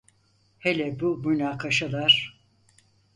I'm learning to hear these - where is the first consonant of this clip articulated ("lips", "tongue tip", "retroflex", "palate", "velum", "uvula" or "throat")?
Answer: throat